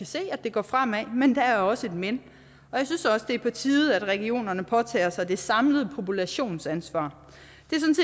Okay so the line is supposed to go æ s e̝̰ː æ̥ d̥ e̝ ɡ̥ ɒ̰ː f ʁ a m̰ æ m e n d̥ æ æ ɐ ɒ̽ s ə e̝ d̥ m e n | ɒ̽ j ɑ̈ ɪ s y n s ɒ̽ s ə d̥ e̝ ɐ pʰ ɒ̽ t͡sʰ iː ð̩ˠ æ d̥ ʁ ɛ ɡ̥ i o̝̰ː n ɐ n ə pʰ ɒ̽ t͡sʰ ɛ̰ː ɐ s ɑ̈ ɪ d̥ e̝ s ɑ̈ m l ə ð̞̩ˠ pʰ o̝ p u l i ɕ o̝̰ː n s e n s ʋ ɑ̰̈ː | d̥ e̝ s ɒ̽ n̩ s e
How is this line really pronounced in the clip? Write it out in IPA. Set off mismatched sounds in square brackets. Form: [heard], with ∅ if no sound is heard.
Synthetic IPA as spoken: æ s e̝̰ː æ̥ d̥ e̝ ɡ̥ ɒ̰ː f ʁ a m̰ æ m e n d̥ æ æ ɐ ɒ̽ s ə e̝ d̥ m e n | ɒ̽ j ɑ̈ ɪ s y n s ɒ̽ s ə d̥ e̝ ɐ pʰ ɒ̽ t͡sʰ iː ð̩ˠ æ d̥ ʁ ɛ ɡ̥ i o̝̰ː n ɐ n ə pʰ ɒ̽ t͡sʰ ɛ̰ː ɐ s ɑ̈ ɪ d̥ e̝ s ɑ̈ m l ə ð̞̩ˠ pʰ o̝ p u l [æ] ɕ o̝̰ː n s [æ] n s ʋ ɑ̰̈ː | d̥ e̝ s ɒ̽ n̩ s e